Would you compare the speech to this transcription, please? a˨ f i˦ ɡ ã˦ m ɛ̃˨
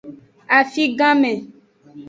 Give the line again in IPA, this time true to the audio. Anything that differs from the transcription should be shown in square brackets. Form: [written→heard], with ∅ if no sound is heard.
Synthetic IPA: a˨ f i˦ ɡ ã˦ m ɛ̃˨